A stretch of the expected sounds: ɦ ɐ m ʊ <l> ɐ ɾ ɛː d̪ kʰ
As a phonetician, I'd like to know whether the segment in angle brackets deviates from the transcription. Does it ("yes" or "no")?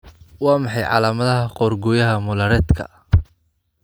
no